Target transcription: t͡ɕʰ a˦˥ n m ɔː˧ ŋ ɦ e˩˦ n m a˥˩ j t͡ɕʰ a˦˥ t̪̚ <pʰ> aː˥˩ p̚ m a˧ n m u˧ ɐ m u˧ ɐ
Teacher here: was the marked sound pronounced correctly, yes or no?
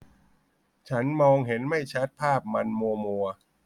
yes